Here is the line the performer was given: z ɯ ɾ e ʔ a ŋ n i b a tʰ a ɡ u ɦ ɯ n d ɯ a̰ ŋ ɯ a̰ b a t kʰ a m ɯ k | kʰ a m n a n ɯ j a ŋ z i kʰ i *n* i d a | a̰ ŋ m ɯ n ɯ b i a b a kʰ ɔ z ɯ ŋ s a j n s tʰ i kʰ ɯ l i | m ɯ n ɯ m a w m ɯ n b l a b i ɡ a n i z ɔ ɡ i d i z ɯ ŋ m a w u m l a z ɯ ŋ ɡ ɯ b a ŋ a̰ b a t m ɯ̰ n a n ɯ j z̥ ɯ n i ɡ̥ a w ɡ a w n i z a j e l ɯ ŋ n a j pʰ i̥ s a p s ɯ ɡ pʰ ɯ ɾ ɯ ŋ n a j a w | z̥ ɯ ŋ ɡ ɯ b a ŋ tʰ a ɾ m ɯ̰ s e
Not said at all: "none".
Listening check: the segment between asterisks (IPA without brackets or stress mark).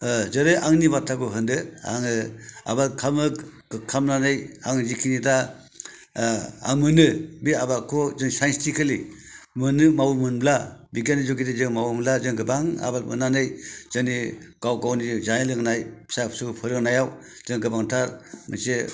n